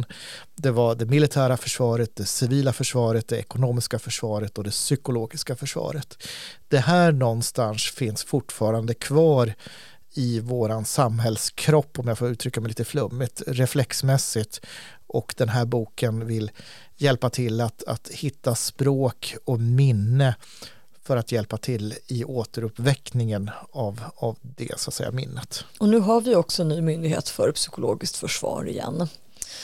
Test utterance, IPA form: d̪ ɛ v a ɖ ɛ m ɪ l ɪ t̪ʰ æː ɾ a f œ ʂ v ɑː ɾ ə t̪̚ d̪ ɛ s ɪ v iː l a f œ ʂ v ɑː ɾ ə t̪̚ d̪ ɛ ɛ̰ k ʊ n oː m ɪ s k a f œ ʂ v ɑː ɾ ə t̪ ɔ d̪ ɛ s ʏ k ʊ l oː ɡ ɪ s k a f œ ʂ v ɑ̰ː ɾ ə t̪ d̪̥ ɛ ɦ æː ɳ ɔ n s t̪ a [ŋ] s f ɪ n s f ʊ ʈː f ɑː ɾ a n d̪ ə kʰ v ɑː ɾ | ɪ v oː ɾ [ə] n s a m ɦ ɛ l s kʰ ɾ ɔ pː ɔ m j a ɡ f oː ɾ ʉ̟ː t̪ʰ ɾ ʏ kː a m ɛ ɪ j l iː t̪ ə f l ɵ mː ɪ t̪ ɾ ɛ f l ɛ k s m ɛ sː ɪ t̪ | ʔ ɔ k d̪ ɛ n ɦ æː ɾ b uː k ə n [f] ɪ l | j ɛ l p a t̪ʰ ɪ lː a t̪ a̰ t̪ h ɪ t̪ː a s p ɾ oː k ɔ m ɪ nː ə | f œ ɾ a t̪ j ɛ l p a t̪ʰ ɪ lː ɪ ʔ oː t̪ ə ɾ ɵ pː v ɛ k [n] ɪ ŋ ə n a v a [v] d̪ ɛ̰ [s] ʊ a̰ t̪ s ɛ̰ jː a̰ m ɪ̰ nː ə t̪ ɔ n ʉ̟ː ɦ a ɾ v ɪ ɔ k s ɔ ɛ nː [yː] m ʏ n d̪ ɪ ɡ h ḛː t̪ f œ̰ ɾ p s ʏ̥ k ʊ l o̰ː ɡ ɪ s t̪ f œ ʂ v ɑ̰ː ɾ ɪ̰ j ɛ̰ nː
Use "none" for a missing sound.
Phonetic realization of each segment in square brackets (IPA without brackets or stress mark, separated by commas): n, a, v, n, v, s, yː